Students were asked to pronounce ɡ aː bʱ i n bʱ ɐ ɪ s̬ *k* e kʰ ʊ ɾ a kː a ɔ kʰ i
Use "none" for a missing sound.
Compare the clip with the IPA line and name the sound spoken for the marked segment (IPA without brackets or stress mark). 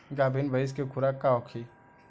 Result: k